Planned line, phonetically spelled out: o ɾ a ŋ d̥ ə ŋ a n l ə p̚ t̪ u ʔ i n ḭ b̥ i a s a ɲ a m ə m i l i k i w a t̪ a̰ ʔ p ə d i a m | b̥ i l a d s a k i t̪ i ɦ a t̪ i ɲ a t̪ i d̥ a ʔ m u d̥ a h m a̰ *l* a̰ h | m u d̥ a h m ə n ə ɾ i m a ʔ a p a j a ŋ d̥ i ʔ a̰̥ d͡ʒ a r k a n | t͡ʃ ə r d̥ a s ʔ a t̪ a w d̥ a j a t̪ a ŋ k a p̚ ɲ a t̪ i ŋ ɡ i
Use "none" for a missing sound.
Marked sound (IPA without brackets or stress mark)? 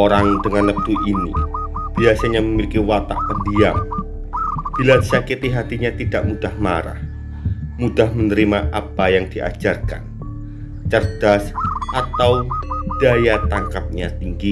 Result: ɾ